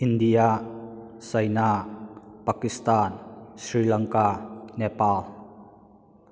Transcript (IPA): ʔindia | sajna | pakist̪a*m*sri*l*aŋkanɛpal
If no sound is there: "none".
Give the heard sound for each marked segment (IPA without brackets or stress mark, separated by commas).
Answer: n, l